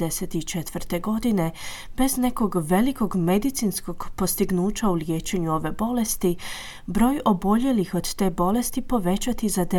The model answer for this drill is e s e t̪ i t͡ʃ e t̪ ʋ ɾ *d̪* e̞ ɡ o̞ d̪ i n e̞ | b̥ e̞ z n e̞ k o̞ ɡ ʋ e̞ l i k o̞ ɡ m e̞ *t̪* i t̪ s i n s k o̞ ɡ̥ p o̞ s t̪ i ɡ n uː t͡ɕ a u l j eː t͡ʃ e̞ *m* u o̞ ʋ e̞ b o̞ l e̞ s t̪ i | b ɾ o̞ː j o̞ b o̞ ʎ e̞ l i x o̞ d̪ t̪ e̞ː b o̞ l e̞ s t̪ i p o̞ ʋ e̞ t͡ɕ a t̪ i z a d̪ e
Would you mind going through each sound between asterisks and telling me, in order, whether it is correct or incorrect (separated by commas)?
incorrect, incorrect, incorrect